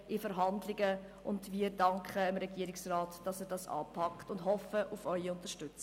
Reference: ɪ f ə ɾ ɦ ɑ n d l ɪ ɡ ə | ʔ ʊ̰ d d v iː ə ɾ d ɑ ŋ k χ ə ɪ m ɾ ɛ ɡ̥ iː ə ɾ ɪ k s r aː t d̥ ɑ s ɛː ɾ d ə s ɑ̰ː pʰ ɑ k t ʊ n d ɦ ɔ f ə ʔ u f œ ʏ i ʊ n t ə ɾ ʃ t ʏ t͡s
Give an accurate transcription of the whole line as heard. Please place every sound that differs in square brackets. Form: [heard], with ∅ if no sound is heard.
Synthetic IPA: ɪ f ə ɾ ɦ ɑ n d l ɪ ɡ ə | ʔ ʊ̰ [n] d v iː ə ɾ d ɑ ŋ k χ ə ɪ m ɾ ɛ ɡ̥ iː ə ɾ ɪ k s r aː t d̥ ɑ s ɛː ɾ d [ɑ] s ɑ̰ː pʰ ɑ k t ʊ n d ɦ ɔ f ə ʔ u f œ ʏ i ʊ n t ə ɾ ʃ t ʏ t͡s